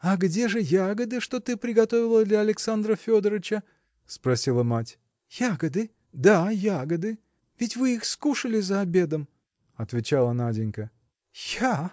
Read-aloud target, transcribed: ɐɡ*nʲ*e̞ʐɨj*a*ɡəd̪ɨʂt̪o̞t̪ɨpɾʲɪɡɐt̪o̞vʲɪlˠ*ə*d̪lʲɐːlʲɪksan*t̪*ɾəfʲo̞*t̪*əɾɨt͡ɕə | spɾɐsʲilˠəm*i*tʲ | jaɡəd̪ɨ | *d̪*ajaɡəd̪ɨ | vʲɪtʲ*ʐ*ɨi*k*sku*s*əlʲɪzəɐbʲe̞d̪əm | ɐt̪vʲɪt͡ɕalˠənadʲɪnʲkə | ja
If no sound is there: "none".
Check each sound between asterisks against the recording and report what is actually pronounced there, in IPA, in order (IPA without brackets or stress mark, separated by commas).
dʲ, a, ə, d̪, d̪, a, d̪, v, x, ʂ